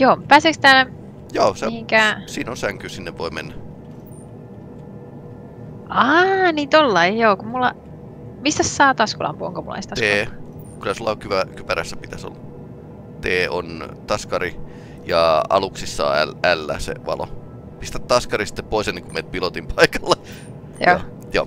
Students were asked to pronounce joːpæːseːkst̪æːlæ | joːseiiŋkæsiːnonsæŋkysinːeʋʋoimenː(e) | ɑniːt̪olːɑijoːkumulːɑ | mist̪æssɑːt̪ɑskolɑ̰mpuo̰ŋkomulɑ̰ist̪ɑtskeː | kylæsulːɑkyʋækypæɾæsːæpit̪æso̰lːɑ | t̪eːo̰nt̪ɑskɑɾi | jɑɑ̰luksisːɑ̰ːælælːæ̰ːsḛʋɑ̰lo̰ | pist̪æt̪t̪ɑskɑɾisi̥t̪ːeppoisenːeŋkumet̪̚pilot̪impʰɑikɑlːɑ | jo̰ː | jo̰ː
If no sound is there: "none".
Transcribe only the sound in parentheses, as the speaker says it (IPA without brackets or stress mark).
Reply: æ